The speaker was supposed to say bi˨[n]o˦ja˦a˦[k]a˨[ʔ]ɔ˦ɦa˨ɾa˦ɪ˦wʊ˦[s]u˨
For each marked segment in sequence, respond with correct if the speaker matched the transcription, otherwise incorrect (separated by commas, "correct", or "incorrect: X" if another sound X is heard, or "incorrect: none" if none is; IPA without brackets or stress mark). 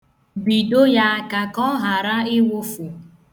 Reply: incorrect: d, correct, incorrect: k, incorrect: f